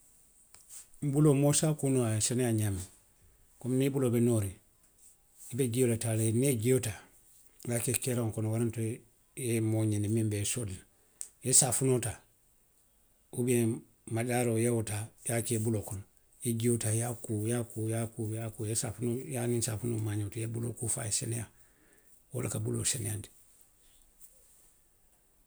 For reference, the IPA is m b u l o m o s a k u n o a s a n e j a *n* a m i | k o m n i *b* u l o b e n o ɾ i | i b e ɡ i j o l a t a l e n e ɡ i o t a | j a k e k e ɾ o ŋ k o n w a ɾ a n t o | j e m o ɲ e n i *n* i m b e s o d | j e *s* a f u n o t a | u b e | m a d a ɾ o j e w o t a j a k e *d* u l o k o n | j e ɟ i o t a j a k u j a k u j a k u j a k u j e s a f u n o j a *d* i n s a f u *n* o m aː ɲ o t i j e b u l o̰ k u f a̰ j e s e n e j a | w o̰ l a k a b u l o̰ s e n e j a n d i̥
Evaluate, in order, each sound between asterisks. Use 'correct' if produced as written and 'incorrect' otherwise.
incorrect: ɲ, correct, incorrect: m, correct, incorrect: b, incorrect: n, correct

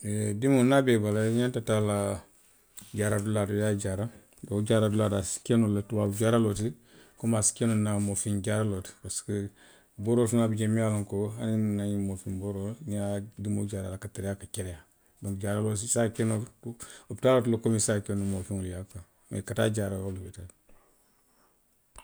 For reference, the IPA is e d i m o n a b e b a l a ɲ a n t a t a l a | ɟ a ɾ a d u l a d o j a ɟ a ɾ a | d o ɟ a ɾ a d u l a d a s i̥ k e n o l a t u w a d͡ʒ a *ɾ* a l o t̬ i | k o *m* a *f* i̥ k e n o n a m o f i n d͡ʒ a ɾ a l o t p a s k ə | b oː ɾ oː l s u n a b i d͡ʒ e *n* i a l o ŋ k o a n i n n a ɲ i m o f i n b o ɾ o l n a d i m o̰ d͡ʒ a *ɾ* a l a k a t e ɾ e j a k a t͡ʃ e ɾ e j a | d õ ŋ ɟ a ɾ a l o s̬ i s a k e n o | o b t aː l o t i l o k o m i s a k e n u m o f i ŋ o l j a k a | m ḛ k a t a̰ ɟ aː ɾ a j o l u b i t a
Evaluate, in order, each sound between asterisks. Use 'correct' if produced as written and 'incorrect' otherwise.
correct, correct, incorrect: s, incorrect: m, correct

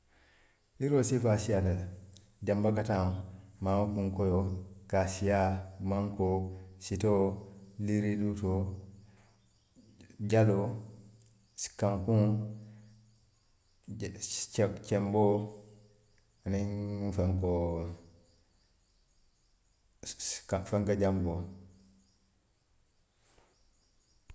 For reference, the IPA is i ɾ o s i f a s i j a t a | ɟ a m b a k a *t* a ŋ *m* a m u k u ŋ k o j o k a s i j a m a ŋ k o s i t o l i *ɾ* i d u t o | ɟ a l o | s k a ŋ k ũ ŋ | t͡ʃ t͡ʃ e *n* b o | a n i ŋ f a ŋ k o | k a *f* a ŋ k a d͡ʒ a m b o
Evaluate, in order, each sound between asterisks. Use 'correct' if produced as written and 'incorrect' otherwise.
correct, correct, correct, incorrect: m, correct

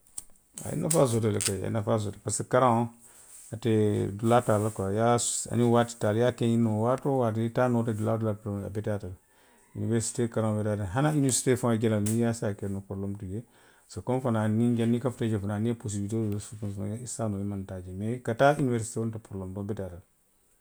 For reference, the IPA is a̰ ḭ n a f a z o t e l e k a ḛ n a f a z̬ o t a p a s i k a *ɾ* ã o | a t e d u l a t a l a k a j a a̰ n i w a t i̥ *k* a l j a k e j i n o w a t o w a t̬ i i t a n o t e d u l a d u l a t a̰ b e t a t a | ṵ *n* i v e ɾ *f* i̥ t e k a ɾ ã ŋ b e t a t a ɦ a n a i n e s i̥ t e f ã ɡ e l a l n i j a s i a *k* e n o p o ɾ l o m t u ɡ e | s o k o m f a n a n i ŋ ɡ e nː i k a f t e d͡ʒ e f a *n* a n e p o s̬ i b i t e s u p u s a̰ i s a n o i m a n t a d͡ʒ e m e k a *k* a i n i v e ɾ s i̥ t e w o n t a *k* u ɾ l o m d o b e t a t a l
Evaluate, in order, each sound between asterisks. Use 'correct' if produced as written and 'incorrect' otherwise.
correct, incorrect: t, correct, incorrect: s, correct, correct, incorrect: t, incorrect: p

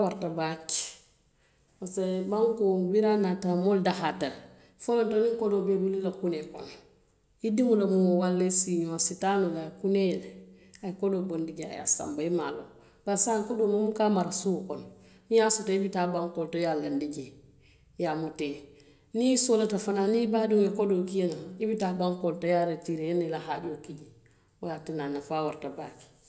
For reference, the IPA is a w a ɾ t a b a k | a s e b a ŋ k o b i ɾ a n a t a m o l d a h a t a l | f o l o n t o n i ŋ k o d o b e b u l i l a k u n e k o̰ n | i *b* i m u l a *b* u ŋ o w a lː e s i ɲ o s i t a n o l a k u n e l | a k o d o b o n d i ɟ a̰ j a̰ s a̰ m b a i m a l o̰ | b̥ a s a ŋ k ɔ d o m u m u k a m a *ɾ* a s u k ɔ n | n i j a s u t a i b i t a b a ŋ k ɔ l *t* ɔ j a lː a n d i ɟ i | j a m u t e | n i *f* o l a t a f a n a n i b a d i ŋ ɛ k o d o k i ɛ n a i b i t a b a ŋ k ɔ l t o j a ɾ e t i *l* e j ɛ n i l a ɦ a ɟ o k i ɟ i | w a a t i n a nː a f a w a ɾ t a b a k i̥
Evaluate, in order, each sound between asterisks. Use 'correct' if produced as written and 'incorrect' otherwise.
incorrect: d, incorrect: m, correct, correct, incorrect: s, incorrect: ɾ

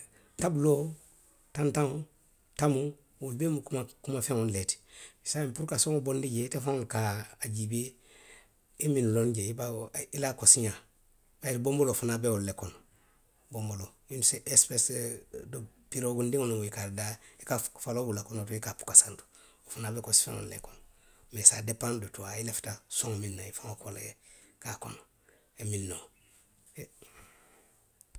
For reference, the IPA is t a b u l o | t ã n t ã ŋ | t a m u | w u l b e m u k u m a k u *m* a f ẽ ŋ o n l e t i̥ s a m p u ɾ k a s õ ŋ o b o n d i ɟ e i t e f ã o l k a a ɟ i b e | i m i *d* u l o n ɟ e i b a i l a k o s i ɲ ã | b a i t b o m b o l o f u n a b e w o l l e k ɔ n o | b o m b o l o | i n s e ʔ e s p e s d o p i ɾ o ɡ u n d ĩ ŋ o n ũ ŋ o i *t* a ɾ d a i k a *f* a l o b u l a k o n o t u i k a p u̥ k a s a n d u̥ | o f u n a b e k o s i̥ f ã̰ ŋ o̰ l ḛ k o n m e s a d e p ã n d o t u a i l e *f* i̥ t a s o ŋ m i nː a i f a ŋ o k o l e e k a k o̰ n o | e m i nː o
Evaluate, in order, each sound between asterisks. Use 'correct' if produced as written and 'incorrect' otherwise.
correct, incorrect: n, incorrect: k, correct, correct

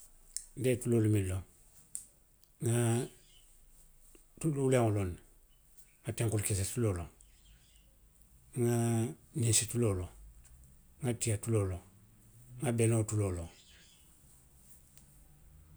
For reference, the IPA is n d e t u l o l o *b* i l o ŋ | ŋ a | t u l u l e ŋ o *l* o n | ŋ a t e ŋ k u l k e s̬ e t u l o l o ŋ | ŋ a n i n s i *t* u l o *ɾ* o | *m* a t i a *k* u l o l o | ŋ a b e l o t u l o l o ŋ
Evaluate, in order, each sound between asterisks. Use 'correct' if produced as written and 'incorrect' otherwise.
incorrect: m, correct, correct, incorrect: l, incorrect: ŋ, incorrect: t

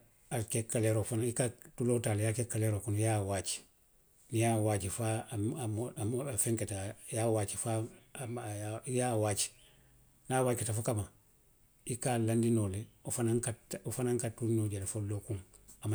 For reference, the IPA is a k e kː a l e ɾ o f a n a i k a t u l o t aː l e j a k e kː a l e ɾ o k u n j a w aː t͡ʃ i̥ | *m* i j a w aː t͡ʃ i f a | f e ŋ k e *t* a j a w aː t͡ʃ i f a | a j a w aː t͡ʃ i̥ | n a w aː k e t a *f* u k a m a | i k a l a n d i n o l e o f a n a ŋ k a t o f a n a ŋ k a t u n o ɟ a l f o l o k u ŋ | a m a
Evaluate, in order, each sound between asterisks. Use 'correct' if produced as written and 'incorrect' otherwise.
incorrect: n, correct, correct

